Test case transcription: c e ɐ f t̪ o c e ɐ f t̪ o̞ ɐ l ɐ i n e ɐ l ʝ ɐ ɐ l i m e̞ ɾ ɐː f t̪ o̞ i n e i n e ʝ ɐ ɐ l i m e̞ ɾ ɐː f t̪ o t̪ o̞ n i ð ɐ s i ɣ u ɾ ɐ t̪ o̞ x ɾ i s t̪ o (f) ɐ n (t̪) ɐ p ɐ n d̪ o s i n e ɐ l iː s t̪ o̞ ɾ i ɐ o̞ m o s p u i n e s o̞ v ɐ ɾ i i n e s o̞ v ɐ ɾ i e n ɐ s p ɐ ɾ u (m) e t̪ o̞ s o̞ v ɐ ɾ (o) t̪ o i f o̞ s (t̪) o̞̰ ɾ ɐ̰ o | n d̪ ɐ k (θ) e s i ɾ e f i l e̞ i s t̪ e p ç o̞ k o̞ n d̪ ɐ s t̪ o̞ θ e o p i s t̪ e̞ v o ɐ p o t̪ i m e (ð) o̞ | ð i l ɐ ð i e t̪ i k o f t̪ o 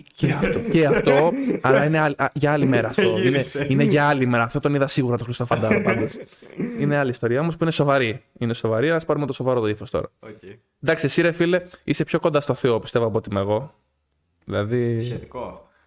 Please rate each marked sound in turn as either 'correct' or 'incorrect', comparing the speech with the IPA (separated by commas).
correct, incorrect, correct, correct, correct, incorrect, incorrect